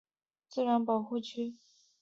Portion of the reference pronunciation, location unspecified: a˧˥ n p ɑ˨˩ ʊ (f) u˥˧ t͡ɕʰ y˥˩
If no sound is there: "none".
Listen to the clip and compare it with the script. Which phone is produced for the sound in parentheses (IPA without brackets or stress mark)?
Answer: x